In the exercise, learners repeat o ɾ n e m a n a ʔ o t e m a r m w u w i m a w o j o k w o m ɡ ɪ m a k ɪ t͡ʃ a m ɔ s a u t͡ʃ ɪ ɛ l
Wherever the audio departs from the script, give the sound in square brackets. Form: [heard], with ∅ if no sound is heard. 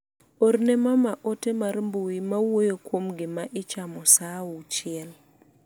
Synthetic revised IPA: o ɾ n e m a [m] a ʔ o t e m a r m [b] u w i m a w o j o k w o m ɡ ɪ m a [ʔ] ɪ t͡ʃ a m ɔ s a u t͡ʃ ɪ ɛ l